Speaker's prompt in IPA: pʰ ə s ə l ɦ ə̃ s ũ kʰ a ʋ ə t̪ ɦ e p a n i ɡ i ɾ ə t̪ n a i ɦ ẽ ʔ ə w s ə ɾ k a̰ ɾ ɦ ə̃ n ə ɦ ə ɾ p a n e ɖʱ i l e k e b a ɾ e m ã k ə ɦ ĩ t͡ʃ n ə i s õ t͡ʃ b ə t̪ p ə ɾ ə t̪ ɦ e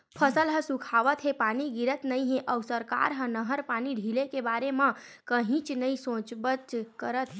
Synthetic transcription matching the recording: pʰ ə s ə l ɦ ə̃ s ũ kʰ a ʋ ə t̪ ɦ e p a n i ɡ i ɾ ə t̪ n ə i ɦ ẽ ʔ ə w s ə ɾ k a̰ ɾ ɦ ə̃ n ə ɦ ə ɾ p a n i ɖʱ i l e k e b a ɾ e m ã k ə ɦ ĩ t͡ʃ n ə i s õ t͡ʃ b ə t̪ k ə ɾ ə t̪ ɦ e